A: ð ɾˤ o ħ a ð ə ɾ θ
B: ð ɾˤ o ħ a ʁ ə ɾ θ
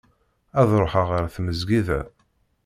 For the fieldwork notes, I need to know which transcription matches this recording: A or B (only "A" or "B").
B